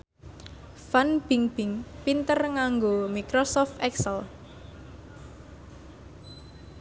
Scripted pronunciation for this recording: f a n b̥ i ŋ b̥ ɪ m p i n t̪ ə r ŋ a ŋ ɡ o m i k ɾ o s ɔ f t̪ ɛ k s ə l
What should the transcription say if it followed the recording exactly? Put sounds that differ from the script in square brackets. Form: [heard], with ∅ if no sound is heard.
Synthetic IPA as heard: f a n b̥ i ŋ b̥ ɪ [ŋ] p i n t̪ ə r ŋ a ŋ ɡ o m i k ɾ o s ɔ f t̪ ɛ k s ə l